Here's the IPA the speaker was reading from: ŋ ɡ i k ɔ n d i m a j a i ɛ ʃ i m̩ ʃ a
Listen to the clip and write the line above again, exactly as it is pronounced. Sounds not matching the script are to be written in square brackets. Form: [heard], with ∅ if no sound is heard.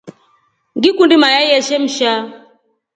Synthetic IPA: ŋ ɡ i k [u] n d i m a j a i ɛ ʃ [ɛ] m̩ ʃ a